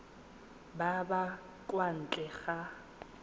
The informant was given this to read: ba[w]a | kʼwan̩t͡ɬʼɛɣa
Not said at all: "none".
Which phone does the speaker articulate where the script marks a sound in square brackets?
b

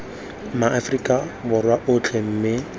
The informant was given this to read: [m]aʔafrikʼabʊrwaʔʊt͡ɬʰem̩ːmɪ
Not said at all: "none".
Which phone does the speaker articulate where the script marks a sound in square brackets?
m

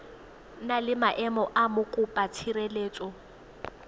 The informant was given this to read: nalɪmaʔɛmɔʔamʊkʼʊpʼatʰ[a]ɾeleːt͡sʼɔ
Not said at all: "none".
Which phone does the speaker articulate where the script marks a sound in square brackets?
i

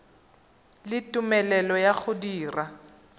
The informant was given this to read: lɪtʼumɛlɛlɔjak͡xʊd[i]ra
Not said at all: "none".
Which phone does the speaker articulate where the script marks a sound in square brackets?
iː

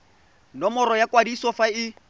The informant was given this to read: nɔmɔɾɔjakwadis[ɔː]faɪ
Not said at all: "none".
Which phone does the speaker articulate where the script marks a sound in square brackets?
ɔ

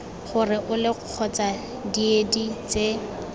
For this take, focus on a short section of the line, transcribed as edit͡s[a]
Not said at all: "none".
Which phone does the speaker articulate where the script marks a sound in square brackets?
e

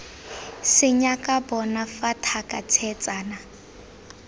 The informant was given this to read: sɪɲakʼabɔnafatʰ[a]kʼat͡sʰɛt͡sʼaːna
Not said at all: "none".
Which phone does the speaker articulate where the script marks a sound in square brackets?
a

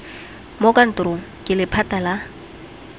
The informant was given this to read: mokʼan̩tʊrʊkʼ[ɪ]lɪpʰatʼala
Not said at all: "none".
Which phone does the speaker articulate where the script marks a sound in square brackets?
ɪ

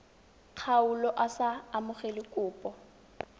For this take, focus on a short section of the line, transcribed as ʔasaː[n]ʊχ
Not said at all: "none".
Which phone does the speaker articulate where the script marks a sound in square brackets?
m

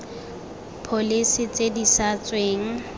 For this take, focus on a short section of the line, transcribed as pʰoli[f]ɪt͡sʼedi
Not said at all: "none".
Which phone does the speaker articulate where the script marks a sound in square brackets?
s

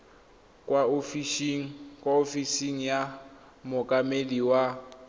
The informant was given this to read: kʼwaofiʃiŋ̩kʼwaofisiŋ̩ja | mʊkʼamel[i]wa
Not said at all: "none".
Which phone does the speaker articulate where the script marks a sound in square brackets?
i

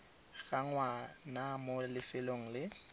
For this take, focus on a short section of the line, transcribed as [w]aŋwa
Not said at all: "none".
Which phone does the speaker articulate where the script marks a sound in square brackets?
ɣ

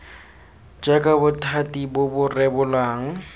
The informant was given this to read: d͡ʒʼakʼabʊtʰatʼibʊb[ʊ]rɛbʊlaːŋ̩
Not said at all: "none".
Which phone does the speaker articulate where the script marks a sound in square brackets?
ʊ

